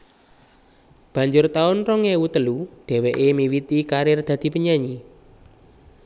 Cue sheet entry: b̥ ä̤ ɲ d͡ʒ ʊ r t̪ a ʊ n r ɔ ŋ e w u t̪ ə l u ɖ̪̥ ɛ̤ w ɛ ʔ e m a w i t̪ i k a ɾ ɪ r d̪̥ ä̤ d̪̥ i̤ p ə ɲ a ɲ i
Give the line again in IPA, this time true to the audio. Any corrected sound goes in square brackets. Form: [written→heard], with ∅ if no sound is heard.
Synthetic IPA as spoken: b̥ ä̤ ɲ d͡ʒ ʊ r t̪ a ʊ n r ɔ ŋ e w u t̪ ə l u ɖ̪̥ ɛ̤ w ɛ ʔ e m [a→i] w i t̪ i k a ɾ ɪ r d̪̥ ä̤ d̪̥ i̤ p ə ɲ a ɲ i